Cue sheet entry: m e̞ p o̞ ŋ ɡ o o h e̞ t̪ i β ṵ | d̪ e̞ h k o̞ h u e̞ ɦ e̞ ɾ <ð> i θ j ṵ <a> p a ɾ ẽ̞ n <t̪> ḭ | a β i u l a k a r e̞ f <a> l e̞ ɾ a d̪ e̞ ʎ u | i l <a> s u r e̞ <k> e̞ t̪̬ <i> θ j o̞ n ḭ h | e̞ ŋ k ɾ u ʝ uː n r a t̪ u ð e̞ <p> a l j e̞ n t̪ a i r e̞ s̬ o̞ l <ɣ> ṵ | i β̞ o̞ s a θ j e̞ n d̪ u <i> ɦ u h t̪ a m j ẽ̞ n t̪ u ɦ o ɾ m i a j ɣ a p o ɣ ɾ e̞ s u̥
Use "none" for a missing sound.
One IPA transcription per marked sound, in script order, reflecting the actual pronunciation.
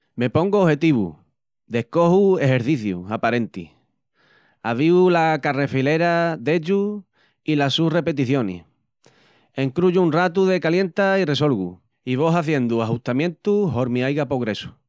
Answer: θ, a, t̪, i, a, p, i, k, ɣ, a

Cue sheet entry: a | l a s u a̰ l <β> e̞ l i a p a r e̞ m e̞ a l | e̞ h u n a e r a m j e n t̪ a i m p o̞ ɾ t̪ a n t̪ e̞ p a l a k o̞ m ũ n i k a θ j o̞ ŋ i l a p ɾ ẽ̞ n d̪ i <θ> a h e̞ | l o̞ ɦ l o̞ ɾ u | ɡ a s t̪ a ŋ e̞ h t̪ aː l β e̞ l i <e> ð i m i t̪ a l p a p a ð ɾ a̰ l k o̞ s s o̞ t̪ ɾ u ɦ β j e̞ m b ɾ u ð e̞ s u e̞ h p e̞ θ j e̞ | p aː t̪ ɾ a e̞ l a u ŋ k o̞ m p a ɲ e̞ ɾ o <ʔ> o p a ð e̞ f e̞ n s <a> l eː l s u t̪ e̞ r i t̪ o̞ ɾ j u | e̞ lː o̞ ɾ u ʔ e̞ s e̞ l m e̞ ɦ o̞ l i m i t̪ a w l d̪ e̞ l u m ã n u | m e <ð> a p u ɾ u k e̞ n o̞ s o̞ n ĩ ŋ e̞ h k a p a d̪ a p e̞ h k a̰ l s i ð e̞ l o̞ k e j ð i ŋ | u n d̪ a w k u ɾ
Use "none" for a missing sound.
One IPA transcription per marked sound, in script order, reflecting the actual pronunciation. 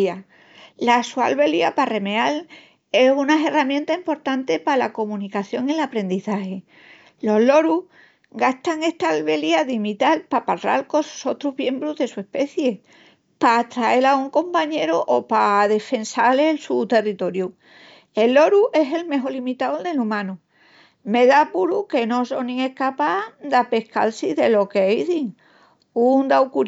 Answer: β, θ, a, ʔ, a, ð

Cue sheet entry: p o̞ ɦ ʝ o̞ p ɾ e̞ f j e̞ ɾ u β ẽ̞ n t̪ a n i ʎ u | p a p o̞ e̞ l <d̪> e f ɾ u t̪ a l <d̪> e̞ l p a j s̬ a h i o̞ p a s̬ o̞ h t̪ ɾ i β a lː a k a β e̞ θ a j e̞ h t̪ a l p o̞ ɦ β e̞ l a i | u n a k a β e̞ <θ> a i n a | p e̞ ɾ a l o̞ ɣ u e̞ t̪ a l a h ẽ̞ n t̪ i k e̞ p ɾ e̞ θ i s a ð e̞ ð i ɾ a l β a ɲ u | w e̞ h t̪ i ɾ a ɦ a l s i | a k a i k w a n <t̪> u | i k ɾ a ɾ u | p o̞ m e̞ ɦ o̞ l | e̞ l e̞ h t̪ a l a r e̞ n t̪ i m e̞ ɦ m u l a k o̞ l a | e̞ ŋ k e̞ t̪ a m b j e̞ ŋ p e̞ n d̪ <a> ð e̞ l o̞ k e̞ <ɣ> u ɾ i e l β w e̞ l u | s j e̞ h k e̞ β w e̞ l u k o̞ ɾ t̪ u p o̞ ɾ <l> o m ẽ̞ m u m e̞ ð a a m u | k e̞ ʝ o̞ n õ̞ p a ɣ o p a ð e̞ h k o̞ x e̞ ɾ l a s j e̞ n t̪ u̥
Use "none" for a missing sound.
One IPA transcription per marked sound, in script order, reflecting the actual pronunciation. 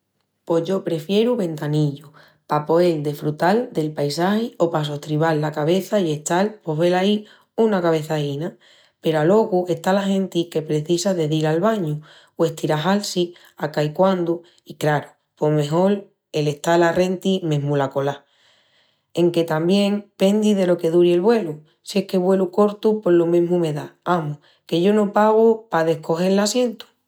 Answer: d̪, d̪, θ, d̪, i, ð, l

